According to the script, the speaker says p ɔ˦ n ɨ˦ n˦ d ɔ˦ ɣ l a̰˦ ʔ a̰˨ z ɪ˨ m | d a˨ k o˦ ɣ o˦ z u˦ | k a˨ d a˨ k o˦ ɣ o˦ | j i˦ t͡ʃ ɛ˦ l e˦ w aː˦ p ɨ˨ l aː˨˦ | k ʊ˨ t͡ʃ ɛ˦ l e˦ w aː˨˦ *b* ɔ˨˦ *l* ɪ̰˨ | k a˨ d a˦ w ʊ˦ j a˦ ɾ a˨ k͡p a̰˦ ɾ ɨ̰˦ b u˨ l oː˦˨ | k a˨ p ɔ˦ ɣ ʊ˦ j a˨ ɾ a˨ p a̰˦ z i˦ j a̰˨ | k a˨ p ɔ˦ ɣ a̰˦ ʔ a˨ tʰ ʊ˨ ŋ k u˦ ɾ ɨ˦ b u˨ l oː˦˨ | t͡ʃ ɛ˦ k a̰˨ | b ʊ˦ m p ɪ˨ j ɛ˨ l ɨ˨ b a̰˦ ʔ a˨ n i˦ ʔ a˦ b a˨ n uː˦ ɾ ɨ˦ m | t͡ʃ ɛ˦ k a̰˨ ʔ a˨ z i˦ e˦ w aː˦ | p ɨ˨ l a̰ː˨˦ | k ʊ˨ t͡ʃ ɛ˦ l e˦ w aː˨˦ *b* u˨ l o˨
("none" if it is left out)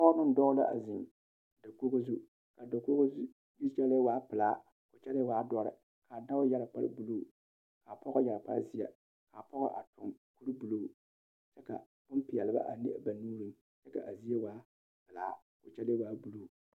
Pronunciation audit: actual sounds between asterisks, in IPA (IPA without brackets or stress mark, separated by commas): d, ɾ, b